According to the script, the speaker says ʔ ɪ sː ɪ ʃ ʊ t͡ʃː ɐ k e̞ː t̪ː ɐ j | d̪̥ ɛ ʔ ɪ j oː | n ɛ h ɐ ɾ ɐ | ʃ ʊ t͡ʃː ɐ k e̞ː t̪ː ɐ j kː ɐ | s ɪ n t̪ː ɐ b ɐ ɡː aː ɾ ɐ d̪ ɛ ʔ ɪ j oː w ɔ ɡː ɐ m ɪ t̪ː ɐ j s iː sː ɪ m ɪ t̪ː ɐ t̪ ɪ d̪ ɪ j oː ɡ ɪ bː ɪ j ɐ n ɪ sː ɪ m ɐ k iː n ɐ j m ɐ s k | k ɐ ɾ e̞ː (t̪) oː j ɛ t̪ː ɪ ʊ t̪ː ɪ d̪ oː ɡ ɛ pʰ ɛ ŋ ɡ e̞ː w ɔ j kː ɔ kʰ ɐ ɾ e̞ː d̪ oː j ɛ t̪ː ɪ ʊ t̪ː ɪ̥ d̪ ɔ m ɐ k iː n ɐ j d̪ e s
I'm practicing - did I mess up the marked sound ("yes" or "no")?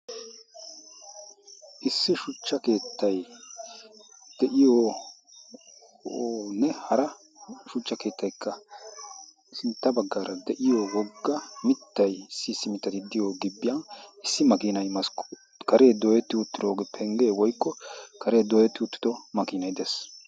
yes